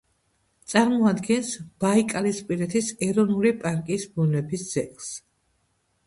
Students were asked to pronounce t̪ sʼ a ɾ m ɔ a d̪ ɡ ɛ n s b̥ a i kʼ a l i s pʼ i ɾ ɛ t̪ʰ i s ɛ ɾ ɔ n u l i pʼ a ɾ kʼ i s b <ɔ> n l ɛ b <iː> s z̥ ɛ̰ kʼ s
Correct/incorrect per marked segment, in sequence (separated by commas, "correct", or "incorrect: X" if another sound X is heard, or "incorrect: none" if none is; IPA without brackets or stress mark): incorrect: u, incorrect: i